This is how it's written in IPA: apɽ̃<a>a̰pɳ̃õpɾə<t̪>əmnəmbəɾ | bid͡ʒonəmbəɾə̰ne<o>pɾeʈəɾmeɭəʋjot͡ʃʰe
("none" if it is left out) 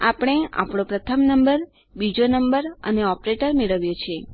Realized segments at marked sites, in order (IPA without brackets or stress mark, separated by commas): e, t̪ʰ, ɔ